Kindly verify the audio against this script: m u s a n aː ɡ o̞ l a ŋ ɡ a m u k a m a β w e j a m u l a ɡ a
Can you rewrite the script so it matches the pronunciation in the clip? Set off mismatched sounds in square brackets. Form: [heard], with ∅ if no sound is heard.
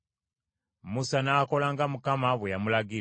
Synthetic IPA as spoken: m u s a n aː [k] o̞ l a ŋ ɡ a m u k a m a β w e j a m u l a ɡ [i]

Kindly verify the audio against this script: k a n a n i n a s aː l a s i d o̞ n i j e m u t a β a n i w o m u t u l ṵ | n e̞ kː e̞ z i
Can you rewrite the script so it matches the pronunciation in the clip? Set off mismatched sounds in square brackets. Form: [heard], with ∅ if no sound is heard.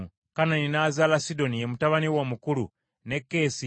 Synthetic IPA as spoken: k a n a n i n a [z] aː l a s i d o̞ n i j e m u t a β a n i w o m u [k] u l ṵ | n e̞ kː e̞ [s] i

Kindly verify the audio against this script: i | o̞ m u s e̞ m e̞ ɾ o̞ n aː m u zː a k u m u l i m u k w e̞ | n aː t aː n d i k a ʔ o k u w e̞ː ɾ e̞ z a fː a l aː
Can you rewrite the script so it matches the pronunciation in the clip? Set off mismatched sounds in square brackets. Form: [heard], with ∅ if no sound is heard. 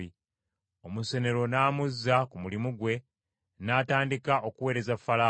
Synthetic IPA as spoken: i | o̞ m u s e̞ [n] e̞ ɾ o̞ n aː m u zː a k u m u l i m u [ɡ] w e̞ | n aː t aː n d i k a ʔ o k u w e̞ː ɾ e̞ z a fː a l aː

